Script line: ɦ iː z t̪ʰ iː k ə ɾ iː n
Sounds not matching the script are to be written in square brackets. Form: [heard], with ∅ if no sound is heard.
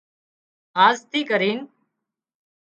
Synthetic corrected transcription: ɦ [aː] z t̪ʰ iː k ə ɾ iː n